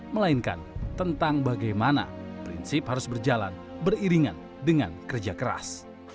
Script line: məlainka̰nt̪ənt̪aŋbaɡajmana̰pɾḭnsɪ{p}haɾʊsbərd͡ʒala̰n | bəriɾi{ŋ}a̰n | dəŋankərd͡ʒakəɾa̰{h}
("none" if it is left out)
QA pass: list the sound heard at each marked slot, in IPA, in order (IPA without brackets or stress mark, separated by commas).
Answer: p, ŋ, s